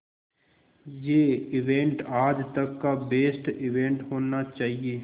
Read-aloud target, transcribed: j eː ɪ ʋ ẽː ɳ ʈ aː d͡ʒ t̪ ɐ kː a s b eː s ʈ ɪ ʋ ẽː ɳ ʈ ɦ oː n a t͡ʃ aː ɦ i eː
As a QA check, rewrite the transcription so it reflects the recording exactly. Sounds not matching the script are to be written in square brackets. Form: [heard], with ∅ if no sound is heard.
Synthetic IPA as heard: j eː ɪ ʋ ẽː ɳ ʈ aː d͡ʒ t̪ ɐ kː a [∅] b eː s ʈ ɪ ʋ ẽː ɳ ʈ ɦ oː n a t͡ʃ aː ɦ i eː